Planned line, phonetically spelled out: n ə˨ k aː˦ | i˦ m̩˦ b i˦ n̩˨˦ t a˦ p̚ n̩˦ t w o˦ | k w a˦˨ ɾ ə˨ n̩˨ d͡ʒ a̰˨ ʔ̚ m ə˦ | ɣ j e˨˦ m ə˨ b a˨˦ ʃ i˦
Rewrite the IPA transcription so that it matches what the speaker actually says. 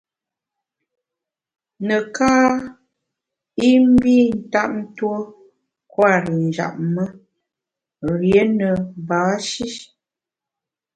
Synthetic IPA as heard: n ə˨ k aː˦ | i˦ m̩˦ b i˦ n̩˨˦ t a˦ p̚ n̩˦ t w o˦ | k w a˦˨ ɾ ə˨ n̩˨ d͡ʒ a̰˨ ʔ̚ m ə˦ | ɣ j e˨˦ n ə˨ b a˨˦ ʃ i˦